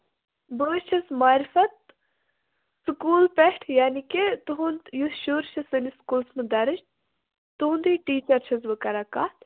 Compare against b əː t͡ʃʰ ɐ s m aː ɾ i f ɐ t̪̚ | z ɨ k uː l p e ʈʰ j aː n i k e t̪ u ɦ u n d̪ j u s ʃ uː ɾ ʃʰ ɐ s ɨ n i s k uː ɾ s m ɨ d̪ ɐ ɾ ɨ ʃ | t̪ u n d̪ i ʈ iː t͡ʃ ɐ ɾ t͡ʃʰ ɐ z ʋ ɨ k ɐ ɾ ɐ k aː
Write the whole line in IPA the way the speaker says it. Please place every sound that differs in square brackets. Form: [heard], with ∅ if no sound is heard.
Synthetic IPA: b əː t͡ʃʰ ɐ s m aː ɾ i f ɐ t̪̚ | [s] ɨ k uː l p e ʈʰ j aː n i k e t̪ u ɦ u n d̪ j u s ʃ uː ɾ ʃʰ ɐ s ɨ n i s k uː [l] s m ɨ d̪ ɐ ɾ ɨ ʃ | t̪ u n d̪ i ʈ iː t͡ʃ ɐ ɾ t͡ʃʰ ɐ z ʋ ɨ k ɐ ɾ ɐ k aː

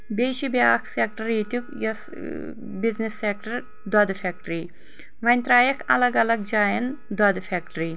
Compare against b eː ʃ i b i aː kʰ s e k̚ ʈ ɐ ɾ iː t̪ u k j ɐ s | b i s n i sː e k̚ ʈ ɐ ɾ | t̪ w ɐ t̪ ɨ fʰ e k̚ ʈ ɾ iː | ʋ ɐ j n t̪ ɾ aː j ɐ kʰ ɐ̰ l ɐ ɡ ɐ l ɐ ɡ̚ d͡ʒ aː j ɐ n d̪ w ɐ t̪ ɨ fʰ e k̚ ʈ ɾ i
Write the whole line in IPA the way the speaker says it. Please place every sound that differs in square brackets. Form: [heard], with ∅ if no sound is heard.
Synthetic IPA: b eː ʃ i b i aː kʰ s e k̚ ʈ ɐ ɾ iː t̪ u k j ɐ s | b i [z] n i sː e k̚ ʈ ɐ ɾ | [d̪] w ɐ [d̪] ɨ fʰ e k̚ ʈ ɾ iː | ʋ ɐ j n t̪ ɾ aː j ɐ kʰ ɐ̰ l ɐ ɡ ɐ l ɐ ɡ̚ d͡ʒ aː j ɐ n d̪ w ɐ [d̪] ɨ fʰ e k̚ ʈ ɾ i

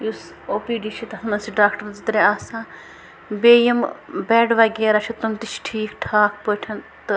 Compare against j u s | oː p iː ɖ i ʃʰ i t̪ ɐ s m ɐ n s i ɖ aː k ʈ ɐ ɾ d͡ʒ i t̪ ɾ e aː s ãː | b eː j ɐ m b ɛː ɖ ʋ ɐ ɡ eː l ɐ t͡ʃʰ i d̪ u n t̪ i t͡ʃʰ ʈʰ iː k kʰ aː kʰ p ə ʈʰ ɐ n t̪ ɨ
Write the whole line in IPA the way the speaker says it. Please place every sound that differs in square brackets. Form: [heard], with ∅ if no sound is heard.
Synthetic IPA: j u s | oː p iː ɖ i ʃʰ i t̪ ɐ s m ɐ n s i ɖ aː k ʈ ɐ ɾ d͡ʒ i t̪ ɾ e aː s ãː | b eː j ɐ m b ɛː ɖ ʋ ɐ ɡ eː [ɾ] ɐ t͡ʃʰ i [t̪] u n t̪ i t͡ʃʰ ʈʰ iː k [ʈʰ] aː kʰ p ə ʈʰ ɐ n t̪ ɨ

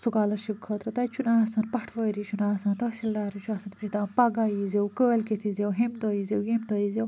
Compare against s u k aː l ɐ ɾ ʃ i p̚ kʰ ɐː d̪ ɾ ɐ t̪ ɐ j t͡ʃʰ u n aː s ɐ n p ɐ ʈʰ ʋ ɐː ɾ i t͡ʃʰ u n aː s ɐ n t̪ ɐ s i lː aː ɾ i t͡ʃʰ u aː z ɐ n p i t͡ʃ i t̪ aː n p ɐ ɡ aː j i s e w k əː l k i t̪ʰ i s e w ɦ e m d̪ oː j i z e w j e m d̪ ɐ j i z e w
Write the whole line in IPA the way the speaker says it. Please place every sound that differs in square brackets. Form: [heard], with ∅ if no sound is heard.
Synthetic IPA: s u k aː l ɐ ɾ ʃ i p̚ kʰ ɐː [t̪] ɾ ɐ t̪ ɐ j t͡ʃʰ u n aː s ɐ n p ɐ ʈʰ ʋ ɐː ɾ i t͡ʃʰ u n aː s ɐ n t̪ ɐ s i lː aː ɾ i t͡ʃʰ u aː [s] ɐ n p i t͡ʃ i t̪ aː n p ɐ ɡ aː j i [z] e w k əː l k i t̪ʰ i [z] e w ɦ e m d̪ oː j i z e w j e m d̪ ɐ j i z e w

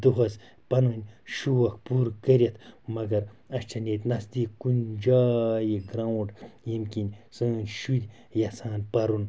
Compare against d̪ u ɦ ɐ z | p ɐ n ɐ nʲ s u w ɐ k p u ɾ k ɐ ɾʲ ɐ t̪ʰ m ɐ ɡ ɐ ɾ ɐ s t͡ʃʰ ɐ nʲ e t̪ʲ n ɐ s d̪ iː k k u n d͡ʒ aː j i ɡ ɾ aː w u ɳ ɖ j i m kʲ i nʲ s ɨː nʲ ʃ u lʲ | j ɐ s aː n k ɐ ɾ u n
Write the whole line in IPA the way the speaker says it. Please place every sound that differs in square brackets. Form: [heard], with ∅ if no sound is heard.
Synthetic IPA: d̪ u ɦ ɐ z | p ɐ n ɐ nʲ [ʃ] u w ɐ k p u ɾ k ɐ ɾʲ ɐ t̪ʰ m ɐ ɡ ɐ ɾ ɐ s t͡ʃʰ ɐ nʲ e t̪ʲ n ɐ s d̪ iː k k u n d͡ʒ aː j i ɡ ɾ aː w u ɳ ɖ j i m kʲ i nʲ s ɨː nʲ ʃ u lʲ | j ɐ s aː n [p] ɐ ɾ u n

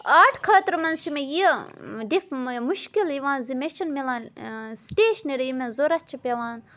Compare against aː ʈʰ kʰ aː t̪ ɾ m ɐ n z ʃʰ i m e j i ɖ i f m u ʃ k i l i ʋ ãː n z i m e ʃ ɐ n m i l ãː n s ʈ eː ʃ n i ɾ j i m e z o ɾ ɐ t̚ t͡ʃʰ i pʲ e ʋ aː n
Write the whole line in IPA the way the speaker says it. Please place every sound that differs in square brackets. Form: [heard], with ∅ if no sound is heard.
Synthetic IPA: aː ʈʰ kʰ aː t̪ ɾ m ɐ n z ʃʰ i m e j i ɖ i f m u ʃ k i l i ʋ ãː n z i m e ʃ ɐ n m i l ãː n s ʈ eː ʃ n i ɾ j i m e z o ɾ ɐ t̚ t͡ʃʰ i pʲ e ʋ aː n

